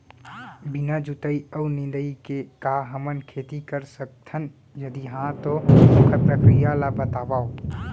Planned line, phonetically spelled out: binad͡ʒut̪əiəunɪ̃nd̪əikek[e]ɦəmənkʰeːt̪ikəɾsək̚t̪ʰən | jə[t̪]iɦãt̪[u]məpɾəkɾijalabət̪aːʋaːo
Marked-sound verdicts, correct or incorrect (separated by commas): incorrect, incorrect, incorrect